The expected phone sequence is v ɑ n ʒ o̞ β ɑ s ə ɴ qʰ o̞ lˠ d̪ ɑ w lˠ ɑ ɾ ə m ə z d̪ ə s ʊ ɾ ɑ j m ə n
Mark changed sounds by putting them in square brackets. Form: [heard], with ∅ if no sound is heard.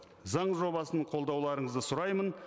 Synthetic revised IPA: [z] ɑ [ɴ] ʒ o̞ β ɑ s ə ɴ qʰ o̞ lˠ d̪ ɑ w lˠ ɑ ɾ ə [ɴ] ə z d̪ ə s ʊ ɾ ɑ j m ə n